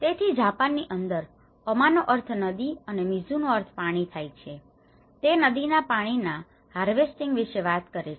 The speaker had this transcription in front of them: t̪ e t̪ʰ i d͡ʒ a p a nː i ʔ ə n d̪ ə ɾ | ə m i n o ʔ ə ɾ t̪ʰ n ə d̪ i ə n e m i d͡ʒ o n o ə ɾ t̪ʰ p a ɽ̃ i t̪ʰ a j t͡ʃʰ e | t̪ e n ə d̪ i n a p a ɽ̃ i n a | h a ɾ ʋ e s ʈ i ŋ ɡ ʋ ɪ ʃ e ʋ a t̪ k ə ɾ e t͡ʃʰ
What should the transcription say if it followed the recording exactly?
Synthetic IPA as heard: t̪ e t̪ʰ i d͡ʒ a p a nː i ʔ ə n d̪ ə ɾ | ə m a n o ʔ ə ɾ t̪ʰ n ə d̪ i ə n e m i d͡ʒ u n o ə ɾ t̪ʰ p a ɽ̃ i t̪ʰ a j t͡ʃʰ e | t̪ e n ə d̪ i n a p a ɽ̃ i n a | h a ɾ ʋ e s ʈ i ŋ ɡ ʋ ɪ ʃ e ʋ a t̪ k ə ɾ e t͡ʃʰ